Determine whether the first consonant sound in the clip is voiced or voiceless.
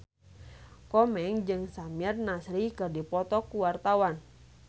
voiceless